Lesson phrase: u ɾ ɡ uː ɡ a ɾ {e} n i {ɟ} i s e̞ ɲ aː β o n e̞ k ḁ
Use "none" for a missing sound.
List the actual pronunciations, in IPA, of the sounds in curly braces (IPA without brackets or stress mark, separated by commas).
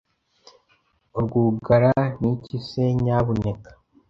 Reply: a, c